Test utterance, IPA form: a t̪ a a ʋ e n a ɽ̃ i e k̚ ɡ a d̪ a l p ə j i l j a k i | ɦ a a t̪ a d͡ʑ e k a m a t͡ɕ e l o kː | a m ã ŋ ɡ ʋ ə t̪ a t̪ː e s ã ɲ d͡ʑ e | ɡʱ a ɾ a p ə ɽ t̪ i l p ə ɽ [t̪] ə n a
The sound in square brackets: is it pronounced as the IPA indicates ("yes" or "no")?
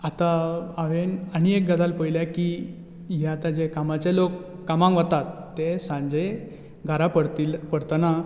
yes